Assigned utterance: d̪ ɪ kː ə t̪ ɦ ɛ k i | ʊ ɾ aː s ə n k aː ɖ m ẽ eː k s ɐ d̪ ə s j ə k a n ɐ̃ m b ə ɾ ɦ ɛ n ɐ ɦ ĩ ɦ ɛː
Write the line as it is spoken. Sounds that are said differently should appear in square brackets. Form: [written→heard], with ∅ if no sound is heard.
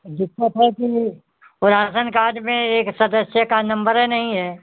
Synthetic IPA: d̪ ɪ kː ə t̪ ɦ ɛ k i | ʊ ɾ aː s ə n k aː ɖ m ẽ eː k s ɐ d̪ ə s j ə k a n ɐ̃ m b ə ɾ ɦ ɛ n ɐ ɦ ĩ ɦ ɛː